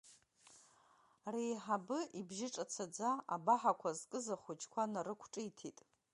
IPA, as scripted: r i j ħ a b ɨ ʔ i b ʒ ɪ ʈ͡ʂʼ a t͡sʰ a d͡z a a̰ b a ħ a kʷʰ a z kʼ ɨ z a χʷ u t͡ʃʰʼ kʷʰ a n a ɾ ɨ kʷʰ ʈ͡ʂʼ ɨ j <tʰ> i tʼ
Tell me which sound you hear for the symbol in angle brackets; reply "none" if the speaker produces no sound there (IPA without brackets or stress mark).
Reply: tʰ